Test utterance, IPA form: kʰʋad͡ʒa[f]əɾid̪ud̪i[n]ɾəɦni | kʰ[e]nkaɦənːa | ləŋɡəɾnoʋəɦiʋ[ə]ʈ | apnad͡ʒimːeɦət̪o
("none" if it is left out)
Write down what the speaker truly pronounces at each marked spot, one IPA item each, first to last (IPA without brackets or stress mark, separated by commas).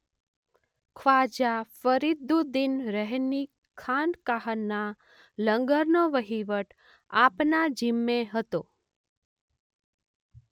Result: f, n, a, ə